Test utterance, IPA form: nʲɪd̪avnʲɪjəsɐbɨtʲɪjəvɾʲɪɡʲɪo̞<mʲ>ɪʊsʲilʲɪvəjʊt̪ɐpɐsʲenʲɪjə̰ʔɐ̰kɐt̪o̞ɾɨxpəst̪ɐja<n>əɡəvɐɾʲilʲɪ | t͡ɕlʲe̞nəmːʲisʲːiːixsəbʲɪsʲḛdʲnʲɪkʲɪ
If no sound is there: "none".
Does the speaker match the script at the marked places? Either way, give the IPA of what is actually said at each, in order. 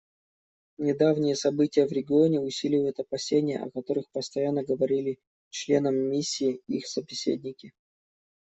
nʲ, nː

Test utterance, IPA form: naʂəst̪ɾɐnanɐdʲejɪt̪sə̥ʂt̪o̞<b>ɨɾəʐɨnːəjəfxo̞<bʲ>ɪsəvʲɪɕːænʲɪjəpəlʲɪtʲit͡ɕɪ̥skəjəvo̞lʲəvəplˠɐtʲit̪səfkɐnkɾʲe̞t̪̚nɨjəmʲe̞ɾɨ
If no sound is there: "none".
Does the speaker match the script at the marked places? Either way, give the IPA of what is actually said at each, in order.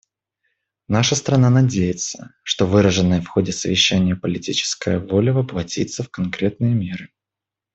v, dʲ

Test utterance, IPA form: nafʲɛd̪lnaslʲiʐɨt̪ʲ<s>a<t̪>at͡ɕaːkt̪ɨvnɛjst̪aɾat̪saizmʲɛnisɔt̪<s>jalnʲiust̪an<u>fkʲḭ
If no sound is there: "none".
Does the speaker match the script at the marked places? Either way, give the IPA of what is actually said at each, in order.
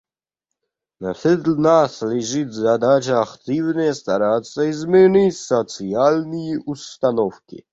z, d̪, s, ɔ

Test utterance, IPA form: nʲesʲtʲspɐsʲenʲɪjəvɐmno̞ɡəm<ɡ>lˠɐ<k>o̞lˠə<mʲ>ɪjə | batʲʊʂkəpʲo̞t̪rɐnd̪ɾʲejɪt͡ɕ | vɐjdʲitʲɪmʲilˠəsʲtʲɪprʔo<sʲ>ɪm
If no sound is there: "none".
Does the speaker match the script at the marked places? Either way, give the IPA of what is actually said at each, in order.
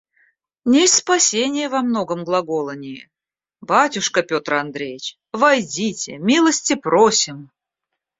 ɡ, ɡ, nʲ, sʲ

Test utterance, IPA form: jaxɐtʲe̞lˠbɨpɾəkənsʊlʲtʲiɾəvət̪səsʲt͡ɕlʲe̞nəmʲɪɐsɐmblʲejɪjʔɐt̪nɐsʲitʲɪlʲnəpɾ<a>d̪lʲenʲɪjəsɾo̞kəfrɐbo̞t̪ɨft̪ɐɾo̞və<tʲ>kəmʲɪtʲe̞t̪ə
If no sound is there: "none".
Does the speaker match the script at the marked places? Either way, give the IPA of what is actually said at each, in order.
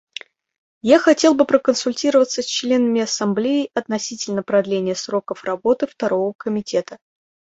ɐ, none

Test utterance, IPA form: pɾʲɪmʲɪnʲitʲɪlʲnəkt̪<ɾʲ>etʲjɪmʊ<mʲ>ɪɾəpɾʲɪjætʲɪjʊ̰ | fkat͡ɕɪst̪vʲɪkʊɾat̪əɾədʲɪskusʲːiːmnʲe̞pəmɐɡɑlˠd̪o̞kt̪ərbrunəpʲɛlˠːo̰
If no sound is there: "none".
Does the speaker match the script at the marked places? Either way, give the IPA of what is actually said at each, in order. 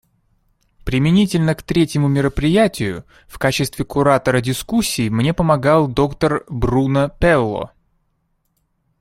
ɾʲ, mʲ

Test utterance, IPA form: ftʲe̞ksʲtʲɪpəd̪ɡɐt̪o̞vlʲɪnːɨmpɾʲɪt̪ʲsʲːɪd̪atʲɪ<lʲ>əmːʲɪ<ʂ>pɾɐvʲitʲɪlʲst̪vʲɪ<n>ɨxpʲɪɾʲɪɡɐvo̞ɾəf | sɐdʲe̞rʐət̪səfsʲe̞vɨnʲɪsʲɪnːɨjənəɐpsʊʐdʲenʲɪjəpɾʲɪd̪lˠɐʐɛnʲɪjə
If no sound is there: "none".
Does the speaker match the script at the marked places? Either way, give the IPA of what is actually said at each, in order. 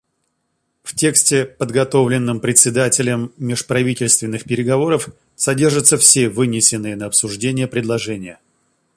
lʲ, ʂ, nː

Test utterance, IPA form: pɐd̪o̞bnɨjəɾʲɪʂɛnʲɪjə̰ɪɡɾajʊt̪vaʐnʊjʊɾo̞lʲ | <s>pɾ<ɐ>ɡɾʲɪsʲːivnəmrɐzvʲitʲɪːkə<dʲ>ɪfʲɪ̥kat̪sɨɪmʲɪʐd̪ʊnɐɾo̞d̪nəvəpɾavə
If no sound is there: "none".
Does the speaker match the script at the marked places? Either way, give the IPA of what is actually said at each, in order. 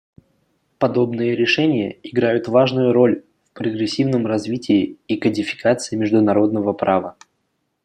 f, ə, dʲ

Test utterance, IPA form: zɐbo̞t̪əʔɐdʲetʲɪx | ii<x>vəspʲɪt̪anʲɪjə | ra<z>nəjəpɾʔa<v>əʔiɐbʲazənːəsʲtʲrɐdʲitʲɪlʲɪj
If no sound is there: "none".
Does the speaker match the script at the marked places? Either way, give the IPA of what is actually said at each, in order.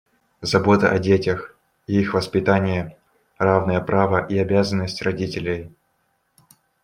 x, v, v

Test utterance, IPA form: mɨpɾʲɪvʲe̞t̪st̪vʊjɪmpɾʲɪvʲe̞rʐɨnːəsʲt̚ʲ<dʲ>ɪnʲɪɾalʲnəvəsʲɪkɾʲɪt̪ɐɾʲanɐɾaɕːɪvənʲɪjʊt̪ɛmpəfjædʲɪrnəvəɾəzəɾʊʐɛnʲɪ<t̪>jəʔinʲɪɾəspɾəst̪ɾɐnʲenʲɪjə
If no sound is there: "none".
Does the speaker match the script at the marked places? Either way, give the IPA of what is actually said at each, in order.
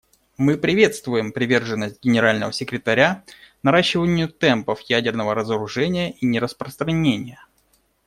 ɡʲ, none

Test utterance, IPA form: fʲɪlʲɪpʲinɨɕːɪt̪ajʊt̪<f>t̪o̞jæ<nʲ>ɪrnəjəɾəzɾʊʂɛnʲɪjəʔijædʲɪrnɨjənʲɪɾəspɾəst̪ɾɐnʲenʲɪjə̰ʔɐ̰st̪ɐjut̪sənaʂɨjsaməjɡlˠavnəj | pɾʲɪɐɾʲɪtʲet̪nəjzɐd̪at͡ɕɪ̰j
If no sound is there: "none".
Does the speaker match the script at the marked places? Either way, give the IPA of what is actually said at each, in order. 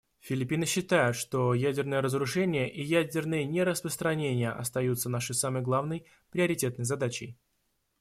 ʂ, dʲ

